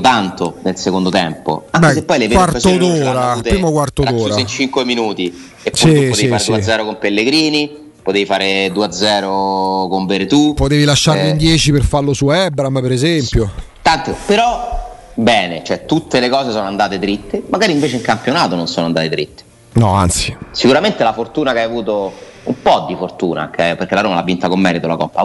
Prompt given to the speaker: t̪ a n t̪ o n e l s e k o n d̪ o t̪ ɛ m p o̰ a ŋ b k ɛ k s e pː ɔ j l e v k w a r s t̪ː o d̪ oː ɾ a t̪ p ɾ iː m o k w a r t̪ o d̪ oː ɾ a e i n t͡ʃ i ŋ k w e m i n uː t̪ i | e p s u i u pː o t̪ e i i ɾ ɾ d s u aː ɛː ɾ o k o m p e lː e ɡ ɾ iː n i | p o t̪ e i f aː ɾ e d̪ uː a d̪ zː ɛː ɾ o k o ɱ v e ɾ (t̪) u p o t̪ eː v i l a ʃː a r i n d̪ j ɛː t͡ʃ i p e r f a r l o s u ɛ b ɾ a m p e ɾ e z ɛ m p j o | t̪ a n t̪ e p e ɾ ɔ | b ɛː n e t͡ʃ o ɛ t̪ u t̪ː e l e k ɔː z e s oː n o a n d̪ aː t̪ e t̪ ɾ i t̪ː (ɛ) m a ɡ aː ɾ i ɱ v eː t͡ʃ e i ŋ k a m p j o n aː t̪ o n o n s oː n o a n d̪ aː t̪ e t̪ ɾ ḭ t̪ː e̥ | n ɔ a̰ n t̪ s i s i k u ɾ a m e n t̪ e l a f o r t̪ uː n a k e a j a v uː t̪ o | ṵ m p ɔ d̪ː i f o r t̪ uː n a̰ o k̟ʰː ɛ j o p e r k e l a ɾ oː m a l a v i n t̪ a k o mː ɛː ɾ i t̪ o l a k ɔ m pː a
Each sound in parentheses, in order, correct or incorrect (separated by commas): correct, incorrect